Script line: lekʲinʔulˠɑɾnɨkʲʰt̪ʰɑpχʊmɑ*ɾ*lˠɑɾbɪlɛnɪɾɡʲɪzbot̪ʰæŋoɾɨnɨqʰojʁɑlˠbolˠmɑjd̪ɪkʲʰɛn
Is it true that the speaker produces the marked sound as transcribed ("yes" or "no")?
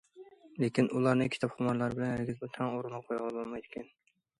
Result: yes